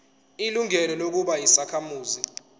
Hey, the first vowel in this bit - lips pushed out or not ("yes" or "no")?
no